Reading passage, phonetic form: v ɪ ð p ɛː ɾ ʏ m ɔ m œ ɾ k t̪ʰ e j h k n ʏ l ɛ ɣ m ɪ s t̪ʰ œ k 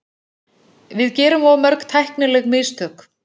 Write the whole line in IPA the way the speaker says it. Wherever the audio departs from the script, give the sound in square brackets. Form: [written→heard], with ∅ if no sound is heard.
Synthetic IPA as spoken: v ɪ ð [p→c] ɛː ɾ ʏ m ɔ m œ ɾ k t̪ʰ [e→a] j h k n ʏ l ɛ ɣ m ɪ s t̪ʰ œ k